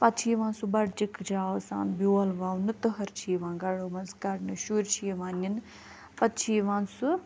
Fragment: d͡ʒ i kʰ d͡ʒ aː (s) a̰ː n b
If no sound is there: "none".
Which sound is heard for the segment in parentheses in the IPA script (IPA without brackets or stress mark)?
s